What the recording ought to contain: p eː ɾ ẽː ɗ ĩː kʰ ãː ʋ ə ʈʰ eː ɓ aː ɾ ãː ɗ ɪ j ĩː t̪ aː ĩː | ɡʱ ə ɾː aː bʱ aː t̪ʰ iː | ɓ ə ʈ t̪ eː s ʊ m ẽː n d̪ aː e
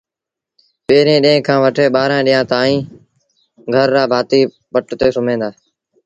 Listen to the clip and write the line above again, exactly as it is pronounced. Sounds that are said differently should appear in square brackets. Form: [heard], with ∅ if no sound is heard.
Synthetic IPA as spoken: p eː ɾ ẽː ɗ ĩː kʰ ãː ʋ ə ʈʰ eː ɓ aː ɾ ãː ɗ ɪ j [ãː] t̪ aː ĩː | ɡʱ ə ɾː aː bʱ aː [t̪] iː | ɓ ə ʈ t̪ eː s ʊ m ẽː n d̪ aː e